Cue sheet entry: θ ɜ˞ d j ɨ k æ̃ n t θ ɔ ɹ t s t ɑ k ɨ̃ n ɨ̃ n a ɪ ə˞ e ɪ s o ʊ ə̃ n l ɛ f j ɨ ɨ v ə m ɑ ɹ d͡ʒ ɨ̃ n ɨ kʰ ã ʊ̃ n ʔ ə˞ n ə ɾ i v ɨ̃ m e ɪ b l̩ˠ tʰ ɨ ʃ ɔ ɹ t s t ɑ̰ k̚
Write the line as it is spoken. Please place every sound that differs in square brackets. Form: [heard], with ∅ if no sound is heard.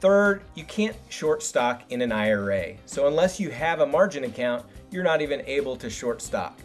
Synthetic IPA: θ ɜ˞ d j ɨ [kʰ] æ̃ n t [ʃ] ɔ ɹ t s t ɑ k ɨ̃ n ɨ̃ n a ɪ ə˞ e ɪ s o ʊ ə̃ n l ɛ [s] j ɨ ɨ v ə m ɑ ɹ d͡ʒ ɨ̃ n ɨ kʰ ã ʊ̃ n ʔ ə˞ n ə ɾ i v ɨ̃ [n] e ɪ b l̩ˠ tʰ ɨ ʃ ɔ ɹ t s t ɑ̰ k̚